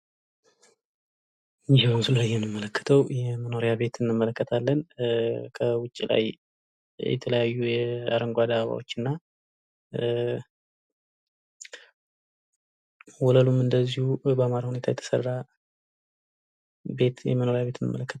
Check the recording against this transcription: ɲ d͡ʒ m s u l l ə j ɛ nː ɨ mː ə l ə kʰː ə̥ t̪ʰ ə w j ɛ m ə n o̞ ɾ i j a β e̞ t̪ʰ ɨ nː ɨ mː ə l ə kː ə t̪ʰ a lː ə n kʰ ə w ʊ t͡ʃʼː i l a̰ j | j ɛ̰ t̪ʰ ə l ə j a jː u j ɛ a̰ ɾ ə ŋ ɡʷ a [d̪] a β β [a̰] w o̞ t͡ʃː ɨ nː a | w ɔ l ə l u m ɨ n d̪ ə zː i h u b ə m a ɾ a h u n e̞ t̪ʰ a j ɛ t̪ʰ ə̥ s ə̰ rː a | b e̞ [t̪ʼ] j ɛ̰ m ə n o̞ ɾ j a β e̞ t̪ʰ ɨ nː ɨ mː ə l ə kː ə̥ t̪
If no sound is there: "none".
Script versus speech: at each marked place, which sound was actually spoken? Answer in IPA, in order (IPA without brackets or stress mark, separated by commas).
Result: d̪, a̰, t̪